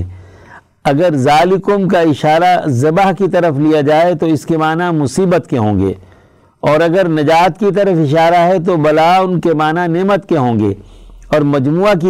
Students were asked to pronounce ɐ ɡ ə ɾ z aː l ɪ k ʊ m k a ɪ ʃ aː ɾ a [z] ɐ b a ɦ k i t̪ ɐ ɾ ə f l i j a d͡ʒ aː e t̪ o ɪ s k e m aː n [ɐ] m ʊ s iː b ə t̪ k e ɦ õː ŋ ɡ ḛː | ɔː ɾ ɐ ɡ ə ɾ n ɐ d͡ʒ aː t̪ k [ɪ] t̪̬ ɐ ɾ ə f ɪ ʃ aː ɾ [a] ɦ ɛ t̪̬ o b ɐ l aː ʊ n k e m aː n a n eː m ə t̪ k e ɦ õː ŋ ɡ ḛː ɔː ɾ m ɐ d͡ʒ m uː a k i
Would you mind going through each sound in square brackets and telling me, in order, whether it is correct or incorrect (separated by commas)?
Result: correct, incorrect, incorrect, correct